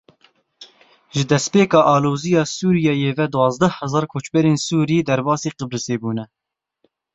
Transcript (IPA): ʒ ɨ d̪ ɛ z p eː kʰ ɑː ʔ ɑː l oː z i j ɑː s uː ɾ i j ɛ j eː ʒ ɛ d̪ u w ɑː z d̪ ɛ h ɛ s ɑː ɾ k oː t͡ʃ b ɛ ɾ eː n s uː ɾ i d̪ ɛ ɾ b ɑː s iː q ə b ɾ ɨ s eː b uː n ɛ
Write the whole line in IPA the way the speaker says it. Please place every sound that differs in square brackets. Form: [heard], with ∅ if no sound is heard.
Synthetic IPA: ʒ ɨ d̪ ɛ [s] p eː [k] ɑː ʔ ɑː l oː z i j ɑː s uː ɾ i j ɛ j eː [v] ɛ d̪ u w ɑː z d̪ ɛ h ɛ [z] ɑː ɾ [kʰ] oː t͡ʃ b ɛ ɾ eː n s uː ɾ i d̪ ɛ ɾ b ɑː s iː q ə b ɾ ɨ s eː b uː n ɛ

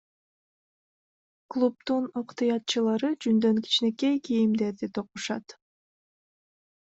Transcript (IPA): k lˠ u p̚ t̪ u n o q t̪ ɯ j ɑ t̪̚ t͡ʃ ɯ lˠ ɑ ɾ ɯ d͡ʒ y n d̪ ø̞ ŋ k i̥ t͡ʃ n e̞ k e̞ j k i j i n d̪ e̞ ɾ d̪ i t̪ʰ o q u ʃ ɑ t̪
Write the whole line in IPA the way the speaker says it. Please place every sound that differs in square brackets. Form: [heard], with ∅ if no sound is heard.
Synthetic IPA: k lˠ u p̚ t̪ u n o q t̪ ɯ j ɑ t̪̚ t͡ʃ ɯ lˠ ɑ ɾ ɯ d͡ʒ y n d̪ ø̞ ŋ k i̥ t͡ʃ n e̞ k e̞ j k i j i [m] d̪ e̞ ɾ d̪ i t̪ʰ o q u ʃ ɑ t̪

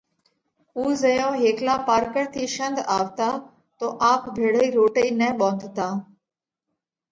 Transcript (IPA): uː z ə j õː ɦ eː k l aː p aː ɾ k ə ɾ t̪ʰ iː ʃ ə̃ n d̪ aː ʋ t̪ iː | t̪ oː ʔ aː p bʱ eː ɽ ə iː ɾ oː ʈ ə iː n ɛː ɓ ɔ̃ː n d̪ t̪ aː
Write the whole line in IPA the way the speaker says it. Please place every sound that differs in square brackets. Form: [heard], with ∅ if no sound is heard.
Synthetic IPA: uː z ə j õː ɦ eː k l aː p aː ɾ k ə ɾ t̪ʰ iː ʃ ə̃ n d̪ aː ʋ t̪ [aː] | t̪ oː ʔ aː p bʱ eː ɽ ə iː ɾ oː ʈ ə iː n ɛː ɓ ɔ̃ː n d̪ t̪ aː

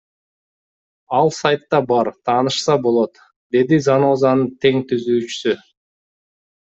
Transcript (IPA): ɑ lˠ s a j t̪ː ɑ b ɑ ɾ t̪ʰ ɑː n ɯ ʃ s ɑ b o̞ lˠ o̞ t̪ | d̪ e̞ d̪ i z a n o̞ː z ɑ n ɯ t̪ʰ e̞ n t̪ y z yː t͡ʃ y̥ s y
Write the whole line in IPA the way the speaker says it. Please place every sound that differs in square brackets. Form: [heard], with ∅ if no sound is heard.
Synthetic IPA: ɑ lˠ s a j t̪ː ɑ b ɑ ɾ t̪ʰ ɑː n ɯ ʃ s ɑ b o̞ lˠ o̞ t̪ | d̪ e̞ d̪ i z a n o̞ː z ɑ n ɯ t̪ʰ e̞ [ŋ] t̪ y z yː t͡ʃ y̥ s y

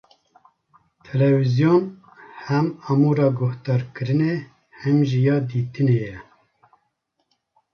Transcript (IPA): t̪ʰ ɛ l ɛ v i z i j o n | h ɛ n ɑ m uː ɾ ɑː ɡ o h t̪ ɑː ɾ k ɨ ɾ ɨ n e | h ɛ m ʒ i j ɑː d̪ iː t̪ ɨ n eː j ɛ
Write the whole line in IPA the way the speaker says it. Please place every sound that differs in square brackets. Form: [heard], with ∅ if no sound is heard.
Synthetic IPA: t̪ʰ ɛ l ɛ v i z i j o n | h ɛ [m] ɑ m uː ɾ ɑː ɡ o h t̪ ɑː ɾ k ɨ ɾ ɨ n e | h ɛ m ʒ i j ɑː d̪ iː t̪ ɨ n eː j ɛ

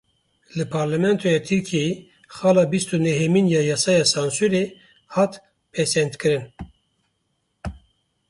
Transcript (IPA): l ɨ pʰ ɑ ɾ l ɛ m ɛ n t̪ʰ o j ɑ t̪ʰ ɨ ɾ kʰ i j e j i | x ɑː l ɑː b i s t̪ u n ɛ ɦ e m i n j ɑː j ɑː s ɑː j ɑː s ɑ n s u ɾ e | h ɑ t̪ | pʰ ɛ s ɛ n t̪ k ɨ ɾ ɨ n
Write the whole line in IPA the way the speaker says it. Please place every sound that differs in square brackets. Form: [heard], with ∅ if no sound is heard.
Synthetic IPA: l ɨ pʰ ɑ ɾ l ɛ m ɛ n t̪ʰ o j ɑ t̪ʰ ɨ ɾ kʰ i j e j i | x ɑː l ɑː b i s t̪ u n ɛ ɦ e m i n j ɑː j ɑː s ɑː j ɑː s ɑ n s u ɾ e | h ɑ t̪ | pʰ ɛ s ɛ n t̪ k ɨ ɾ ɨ n

